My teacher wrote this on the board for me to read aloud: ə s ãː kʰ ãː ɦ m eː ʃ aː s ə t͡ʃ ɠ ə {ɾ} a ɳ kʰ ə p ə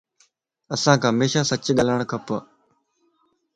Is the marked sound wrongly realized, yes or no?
yes